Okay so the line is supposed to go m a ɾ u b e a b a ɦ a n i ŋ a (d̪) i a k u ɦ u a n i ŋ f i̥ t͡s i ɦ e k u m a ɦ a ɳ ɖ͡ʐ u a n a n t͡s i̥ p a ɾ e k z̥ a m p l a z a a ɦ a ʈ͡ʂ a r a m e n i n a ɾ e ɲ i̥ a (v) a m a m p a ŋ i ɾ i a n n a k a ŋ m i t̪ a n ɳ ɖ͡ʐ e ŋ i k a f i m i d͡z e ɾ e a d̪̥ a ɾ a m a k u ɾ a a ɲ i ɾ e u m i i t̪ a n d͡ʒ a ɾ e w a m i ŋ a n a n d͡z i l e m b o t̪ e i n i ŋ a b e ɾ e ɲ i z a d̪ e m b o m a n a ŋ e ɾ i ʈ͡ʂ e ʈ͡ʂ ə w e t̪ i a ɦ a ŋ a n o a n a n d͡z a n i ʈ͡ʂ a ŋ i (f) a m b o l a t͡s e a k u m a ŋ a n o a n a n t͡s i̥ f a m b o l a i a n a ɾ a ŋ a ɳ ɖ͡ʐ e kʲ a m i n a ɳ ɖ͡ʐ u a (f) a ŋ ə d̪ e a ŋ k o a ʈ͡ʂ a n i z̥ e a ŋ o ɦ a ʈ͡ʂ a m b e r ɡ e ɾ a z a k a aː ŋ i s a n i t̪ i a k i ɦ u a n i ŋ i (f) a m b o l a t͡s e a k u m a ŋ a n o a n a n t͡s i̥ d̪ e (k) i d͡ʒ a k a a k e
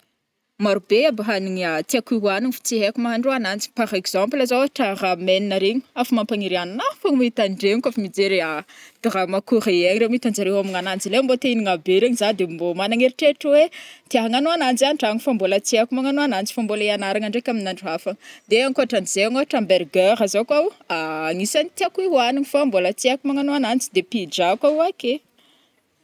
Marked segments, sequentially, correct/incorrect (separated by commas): incorrect, incorrect, correct, correct, correct, incorrect